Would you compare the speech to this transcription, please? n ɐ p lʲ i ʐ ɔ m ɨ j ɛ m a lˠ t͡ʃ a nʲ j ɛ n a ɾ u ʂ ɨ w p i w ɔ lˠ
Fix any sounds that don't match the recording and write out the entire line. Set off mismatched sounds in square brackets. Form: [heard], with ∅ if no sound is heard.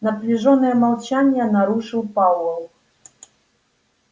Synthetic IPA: n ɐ p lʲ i ʐ ɔ [n] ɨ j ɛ m a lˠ t͡ʃ a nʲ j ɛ n a ɾ u ʂ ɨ w p [a] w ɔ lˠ